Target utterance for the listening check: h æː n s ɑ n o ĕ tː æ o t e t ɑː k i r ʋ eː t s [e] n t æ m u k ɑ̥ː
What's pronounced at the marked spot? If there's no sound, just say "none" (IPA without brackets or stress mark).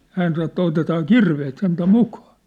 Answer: e